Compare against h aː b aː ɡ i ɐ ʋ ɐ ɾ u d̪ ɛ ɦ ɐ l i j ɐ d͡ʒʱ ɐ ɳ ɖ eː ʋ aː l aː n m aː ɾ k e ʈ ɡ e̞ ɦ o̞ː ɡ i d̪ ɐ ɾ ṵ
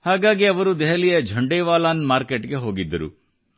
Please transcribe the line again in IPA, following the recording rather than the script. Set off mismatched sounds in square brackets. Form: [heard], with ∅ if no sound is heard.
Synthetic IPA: h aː [ɡ] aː ɡ i ɐ ʋ ɐ ɾ u d̪ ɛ ɦ ɐ l i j ɐ d͡ʒʱ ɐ ɳ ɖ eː ʋ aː l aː n m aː ɾ k e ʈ ɡ e̞ ɦ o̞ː ɡ i [d̪ː] ɐ ɾ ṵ